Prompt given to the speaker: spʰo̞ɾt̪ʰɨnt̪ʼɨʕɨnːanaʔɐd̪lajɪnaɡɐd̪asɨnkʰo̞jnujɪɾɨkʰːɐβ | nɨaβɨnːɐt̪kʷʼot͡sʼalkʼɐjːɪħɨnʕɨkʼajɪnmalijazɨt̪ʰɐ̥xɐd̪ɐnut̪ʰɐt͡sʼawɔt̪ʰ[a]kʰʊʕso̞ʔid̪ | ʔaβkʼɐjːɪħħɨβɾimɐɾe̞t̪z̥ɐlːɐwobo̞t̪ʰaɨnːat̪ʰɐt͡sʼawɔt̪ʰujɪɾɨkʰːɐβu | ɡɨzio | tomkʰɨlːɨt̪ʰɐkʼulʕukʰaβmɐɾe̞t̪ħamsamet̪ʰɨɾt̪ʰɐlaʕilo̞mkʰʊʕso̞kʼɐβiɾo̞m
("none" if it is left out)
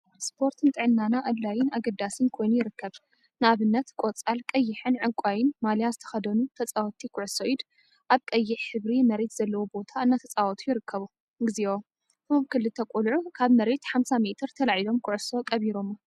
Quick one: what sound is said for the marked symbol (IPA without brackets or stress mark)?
i